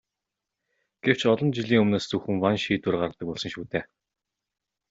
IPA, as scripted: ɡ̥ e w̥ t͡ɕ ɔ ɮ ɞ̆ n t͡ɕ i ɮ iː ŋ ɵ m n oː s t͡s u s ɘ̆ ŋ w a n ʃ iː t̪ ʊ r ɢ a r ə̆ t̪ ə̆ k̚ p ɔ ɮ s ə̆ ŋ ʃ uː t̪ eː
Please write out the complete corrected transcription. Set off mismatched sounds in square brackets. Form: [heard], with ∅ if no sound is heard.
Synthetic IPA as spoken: ɡ̥ e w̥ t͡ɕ ɔ ɮ ɞ̆ n t͡ɕ i ɮ iː ŋ ɵ m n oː s t͡s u [x] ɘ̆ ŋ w a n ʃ iː t̪ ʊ r ɢ a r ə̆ t̪ ə̆ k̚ p ɔ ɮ s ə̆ ŋ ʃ uː t̪ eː